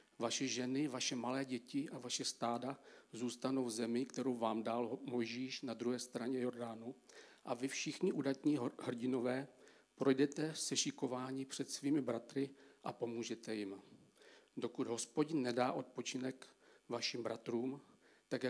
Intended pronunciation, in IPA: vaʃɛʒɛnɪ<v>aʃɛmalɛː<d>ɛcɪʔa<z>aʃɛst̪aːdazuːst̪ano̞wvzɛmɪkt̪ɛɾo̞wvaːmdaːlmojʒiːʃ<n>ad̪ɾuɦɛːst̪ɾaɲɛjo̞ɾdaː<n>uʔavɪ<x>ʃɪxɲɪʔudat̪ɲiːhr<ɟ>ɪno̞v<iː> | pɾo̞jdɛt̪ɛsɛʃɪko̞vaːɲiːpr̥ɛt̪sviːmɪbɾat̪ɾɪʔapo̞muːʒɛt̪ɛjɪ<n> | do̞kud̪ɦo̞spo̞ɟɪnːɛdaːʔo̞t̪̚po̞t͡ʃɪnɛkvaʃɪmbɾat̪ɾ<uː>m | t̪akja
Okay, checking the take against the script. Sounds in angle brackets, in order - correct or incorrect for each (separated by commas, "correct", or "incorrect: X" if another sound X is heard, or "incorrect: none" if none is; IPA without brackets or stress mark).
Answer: correct, incorrect: ɟ, incorrect: v, correct, correct, incorrect: f, correct, incorrect: ɛː, incorrect: m, correct